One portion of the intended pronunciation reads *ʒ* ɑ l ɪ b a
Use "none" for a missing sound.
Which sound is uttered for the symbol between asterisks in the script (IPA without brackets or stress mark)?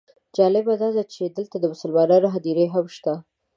d͡ʒ